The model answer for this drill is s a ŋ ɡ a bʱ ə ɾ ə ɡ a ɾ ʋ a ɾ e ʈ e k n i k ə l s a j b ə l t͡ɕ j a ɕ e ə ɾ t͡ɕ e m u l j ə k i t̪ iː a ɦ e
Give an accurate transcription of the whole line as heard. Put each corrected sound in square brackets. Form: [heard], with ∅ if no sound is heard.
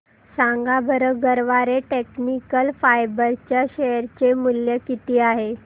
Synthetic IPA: s a ŋ ɡ a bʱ ə ɾ ə ɡ [ə] ɾ ʋ a ɾ e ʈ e k n i k ə l [f] a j b ə [ɾ] t͡ɕ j a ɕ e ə ɾ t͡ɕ e m u l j ə k i t̪ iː a ɦ e